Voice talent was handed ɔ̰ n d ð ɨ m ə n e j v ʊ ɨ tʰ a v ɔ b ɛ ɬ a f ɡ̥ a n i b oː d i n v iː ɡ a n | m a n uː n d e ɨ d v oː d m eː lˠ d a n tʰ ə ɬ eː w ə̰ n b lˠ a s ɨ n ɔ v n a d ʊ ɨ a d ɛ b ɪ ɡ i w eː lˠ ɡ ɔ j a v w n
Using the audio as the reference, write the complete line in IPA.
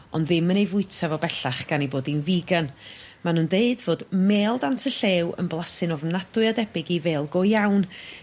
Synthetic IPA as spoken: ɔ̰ n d ð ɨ m ə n e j v ʊ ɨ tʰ a v ɔ b ɛ ɬ a χ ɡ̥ a n i b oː d i n v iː ɡ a n | m a n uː n d e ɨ d v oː d m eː lˠ d a n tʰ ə ɬ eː w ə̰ n b lˠ a s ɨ n ɔ v n a d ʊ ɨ a d ɛ b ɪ ɡ i v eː lˠ ɡ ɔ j a w n